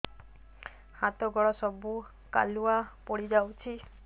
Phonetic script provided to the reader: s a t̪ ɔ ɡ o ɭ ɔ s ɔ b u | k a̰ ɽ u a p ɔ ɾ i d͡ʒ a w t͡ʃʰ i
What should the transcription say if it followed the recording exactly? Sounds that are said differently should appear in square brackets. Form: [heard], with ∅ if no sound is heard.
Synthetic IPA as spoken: [h] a t̪ ɔ ɡ [ɔ] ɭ ɔ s ɔ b u | k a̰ [l] u a p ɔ [ɽ] i d͡ʒ a w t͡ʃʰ i

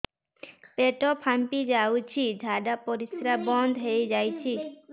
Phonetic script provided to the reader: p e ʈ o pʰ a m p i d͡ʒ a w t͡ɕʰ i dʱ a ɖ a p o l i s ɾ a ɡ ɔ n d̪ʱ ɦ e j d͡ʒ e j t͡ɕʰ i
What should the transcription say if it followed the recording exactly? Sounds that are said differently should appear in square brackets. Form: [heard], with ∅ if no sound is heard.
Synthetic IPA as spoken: p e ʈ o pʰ a m p i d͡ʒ a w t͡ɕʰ i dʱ a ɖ a p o [ɾ] i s ɾ a [b] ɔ n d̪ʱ ɦ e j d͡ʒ [a] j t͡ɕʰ i

